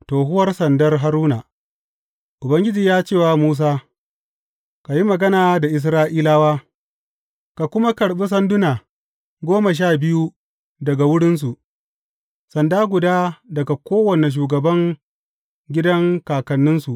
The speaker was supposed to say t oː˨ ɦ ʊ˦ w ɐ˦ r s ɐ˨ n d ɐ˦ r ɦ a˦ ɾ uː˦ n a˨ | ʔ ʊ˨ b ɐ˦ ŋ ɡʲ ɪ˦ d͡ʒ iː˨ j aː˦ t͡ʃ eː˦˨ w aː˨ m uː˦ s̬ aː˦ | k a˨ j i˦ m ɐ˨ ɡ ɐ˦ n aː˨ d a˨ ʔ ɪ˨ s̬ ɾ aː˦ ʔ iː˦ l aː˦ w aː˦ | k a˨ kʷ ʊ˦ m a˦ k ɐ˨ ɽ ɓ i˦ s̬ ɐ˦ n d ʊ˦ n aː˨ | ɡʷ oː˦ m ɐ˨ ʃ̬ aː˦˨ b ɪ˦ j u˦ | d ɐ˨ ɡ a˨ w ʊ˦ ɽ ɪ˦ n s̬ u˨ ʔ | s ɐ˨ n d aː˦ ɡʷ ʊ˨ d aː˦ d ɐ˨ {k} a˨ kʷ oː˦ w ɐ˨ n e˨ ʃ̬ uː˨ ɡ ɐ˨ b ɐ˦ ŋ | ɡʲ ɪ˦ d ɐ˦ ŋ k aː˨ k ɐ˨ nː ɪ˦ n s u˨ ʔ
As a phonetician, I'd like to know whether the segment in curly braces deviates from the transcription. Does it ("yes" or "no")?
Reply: yes